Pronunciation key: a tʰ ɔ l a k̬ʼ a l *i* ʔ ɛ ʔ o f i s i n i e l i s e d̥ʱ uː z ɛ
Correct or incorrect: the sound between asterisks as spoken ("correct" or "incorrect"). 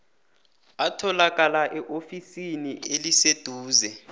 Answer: incorrect